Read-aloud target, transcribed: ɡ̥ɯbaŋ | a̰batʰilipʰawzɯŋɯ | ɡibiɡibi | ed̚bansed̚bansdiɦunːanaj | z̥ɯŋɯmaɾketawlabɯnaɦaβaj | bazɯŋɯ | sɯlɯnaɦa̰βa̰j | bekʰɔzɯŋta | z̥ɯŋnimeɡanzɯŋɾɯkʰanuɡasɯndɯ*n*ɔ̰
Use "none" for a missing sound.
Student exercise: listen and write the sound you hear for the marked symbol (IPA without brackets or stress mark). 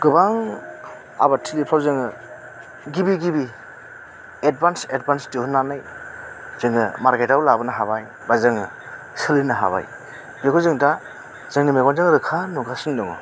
ŋ